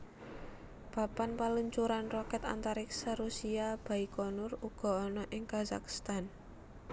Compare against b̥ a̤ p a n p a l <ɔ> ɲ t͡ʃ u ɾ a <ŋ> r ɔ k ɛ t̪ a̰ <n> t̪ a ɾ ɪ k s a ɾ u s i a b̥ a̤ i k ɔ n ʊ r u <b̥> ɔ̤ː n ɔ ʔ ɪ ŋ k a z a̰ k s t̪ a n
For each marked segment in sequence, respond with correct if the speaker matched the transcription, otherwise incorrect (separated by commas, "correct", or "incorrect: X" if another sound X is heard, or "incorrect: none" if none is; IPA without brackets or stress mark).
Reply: incorrect: u, incorrect: n, correct, incorrect: ɡ̥